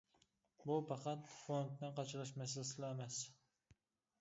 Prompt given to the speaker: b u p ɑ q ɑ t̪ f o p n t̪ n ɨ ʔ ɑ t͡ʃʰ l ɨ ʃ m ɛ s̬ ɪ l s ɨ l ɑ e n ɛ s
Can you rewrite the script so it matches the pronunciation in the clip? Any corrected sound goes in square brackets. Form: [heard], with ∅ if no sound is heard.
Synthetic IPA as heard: b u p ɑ q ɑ t̪ f o [∅] n t̪ n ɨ [q] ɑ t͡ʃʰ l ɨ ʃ m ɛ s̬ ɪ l s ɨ l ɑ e [m] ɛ s